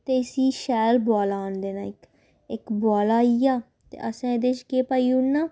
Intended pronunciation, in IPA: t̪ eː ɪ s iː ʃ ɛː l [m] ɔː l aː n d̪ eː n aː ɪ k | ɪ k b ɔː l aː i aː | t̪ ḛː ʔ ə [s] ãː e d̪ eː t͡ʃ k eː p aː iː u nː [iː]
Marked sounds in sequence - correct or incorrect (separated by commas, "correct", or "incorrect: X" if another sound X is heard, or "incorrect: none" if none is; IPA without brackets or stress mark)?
incorrect: b, correct, incorrect: aː